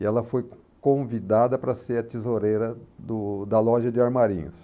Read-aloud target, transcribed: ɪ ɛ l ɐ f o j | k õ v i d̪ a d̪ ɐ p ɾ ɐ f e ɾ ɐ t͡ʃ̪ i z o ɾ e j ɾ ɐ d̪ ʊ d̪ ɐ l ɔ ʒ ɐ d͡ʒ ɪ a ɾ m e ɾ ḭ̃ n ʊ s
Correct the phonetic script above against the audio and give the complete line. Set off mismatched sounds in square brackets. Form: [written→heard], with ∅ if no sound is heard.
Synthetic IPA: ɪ ɛ l ɐ f o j | k õ v i d̪ a d̪ ɐ p ɾ ɐ [f→s] e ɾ ɐ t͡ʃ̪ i z o ɾ e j ɾ ɐ d̪ ʊ d̪ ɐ l ɔ ʒ ɐ d͡ʒ ɪ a ɾ m [e→a] ɾ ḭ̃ [n→ɲ] ʊ s